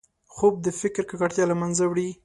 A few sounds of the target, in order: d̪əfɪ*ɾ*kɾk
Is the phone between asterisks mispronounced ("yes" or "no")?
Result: yes